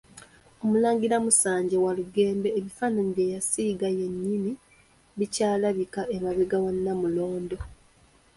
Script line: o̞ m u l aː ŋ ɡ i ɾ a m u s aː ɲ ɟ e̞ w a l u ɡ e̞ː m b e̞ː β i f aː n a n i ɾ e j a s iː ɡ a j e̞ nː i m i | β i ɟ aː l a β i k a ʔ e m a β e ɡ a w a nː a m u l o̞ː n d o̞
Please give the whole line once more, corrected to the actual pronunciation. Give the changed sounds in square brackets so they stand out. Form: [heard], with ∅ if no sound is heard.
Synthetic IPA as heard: o̞ m u l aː ŋ ɡ i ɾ a m u s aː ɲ ɟ e̞ w a l u ɡ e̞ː m b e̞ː β i f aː n a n i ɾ e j a s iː ɡ a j e̞ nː i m i | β i [c] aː l a β i k a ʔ e m a β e ɡ a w a nː a m u l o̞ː n d o̞